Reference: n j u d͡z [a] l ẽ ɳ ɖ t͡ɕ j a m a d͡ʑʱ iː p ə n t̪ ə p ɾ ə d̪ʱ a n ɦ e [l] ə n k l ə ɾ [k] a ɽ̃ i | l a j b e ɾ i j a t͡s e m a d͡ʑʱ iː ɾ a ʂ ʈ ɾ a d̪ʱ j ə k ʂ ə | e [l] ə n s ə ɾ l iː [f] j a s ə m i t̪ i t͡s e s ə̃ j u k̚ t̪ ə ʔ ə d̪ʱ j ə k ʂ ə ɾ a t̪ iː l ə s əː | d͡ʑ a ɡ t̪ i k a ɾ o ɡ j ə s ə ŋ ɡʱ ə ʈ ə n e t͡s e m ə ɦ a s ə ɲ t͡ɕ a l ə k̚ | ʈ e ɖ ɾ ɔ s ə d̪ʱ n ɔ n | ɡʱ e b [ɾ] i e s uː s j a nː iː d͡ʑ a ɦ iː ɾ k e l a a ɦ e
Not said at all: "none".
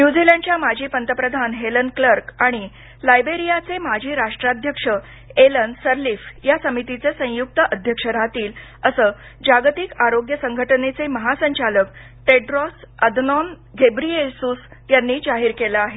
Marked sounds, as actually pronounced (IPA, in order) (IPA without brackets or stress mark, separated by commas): i, l, k, l, f, ɾ